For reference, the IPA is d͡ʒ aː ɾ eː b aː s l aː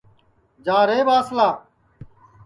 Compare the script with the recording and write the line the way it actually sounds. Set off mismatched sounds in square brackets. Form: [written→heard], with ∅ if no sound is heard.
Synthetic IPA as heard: d͡ʒ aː ɾ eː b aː s l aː